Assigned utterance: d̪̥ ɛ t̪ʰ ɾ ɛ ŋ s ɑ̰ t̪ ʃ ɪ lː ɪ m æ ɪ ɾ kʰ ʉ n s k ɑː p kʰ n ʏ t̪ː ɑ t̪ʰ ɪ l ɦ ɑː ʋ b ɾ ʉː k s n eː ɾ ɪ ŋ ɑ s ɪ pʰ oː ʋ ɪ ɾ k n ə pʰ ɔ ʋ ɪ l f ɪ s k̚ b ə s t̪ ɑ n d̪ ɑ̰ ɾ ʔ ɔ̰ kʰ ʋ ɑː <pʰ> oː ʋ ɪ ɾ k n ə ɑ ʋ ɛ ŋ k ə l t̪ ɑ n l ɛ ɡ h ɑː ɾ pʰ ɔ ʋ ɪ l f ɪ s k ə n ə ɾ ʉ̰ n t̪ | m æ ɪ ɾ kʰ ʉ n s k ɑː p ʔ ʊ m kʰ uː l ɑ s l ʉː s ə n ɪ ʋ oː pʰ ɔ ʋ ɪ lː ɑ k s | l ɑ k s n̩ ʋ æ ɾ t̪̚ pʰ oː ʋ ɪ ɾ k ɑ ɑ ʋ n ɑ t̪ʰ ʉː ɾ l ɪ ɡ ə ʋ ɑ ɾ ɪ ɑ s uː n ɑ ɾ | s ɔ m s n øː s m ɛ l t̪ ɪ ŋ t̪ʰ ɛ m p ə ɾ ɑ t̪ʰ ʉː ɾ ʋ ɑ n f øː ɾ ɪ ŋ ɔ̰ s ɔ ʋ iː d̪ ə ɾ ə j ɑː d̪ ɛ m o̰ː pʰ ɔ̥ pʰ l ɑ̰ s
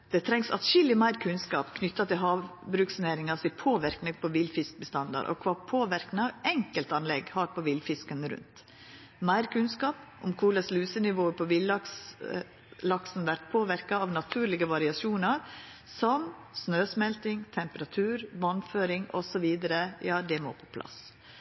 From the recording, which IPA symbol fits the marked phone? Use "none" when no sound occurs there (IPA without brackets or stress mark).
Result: pʰ